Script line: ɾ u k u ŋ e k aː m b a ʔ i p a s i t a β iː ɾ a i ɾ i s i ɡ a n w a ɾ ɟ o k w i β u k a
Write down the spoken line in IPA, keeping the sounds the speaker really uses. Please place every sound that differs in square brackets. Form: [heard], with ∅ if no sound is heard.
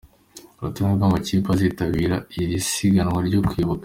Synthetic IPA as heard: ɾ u [t] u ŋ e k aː m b a [c] i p a [z] i t a β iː ɾ a i ɾ i s i ɡ a n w a ɾ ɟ o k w i β u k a

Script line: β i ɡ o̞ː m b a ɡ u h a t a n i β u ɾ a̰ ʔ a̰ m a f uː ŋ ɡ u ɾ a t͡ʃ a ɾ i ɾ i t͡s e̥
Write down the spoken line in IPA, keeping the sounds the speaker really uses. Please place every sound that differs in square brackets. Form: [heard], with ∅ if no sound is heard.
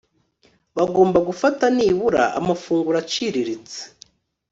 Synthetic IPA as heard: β [a] ɡ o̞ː m b a ɡ u [f] a t a n i β u ɾ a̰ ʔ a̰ m a f uː ŋ ɡ u ɾ a t͡ʃ [i] ɾ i ɾ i t͡s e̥

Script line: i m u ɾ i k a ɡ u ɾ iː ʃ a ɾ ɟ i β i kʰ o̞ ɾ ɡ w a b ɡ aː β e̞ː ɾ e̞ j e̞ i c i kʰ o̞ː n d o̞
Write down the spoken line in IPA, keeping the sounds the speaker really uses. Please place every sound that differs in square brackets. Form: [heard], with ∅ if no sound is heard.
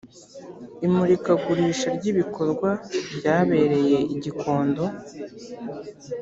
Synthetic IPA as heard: i m u ɾ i k a ɡ u ɾ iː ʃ a ɾ ɟ i β i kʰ o̞ ɾ ɡ w a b [ɟ] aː β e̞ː ɾ e̞ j e̞ i [ɟ] i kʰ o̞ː n d o̞

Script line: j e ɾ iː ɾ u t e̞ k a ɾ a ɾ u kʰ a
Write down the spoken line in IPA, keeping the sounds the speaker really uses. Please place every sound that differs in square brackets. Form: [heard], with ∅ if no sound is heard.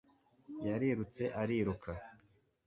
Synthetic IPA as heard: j [a] ɾ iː ɾ u [t͡s] e̞ [ʔ] a ɾ [i] ɾ u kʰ a

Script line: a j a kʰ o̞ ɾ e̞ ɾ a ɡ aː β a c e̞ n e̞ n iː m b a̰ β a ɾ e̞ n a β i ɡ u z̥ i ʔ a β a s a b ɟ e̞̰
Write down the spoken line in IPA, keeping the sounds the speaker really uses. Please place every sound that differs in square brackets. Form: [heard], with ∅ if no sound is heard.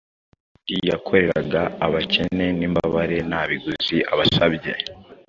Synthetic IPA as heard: [i] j a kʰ o̞ ɾ e̞ ɾ a ɡ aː β a c e̞ n e̞ n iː m b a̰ β a ɾ e̞ n a β i ɡ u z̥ i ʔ a β a s a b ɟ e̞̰

